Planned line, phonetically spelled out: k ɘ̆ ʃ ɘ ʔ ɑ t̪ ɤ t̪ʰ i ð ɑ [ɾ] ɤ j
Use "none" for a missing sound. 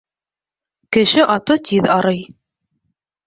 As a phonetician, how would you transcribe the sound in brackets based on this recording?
ɾ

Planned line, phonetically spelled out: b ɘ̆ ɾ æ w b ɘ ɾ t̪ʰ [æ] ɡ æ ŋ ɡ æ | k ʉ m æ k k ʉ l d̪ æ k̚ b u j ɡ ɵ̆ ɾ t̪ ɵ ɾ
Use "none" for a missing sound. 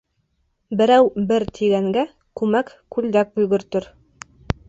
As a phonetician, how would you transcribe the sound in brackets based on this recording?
i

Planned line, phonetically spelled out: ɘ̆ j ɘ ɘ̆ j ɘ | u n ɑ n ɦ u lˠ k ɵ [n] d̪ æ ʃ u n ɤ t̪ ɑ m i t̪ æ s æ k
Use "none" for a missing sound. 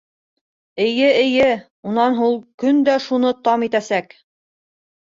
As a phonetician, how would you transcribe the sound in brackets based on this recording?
n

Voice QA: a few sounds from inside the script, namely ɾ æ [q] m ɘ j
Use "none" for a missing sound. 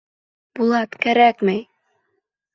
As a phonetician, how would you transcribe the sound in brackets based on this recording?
k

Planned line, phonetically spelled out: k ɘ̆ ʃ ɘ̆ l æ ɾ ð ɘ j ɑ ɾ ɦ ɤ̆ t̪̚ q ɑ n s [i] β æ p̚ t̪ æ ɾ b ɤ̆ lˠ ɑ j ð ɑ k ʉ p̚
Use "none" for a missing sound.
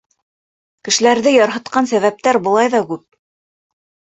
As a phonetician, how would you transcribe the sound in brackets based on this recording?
æ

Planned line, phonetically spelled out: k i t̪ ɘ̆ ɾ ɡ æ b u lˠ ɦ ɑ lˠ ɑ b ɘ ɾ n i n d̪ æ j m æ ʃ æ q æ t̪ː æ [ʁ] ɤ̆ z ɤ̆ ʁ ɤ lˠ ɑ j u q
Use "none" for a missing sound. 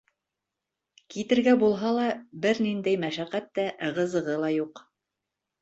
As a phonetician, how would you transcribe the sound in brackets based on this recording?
ʁ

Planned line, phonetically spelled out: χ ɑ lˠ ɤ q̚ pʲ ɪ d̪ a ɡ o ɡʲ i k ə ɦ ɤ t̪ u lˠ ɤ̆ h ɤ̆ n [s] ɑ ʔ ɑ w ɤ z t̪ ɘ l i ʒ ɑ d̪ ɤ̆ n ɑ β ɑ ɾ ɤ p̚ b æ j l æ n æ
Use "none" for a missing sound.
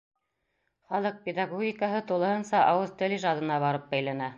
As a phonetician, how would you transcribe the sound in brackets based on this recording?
s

